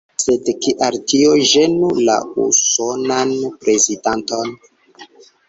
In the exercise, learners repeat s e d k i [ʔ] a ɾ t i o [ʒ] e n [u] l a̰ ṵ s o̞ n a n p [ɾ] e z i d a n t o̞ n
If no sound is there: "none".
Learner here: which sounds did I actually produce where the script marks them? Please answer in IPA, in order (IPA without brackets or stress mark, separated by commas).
ʔ, ʒ, u, ɾ